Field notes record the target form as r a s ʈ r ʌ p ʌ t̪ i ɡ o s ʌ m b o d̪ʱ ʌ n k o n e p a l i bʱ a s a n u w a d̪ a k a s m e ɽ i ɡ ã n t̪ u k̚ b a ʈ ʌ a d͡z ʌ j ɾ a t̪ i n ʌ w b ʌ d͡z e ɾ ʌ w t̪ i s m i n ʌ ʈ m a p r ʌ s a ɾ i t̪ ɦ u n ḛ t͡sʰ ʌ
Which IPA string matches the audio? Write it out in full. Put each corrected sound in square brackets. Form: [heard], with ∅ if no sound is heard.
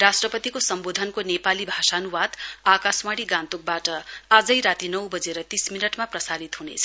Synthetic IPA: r a s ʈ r ʌ p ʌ t̪ i [k] o s ʌ m b o d̪ʱ ʌ n k o n e p a l i bʱ a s a n u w a d̪ a k a s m [a] ɽ i ɡ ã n t̪ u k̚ b a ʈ ʌ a d͡z ʌ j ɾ a t̪ i n ʌ w b ʌ d͡z e ɾ ʌ [∅] t̪ i s m i n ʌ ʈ m a p r ʌ s a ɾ i t̪ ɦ u n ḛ t͡sʰ ʌ